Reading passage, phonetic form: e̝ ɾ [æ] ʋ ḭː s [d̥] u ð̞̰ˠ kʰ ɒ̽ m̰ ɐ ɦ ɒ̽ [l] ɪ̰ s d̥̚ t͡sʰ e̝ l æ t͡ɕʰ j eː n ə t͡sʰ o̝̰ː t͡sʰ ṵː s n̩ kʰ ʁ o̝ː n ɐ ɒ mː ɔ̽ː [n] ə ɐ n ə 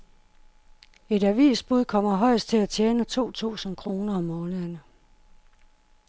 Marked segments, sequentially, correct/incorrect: correct, incorrect: b̥, incorrect: none, correct

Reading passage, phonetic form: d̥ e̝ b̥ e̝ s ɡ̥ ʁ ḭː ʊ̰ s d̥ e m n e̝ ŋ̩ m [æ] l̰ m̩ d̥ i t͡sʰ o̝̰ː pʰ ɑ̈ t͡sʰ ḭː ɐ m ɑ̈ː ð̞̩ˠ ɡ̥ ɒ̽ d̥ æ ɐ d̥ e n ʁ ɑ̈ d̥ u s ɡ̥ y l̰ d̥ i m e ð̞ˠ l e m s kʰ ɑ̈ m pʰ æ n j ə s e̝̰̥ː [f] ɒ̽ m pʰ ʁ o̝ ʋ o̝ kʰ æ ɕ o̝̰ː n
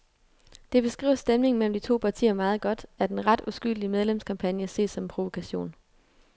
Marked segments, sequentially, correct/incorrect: incorrect: e, incorrect: s

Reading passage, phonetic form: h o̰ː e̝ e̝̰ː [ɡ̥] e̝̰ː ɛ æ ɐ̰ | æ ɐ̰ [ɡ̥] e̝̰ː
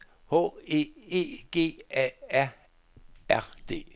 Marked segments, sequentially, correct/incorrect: correct, incorrect: d̥

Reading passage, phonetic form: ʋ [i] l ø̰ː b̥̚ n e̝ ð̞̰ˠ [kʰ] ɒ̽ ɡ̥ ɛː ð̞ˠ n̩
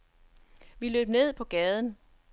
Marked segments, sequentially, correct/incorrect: correct, incorrect: pʰ

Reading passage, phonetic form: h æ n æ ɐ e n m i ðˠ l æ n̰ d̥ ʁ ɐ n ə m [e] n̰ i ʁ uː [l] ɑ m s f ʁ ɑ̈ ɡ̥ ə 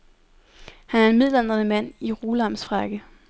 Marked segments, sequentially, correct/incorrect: incorrect: æ, correct

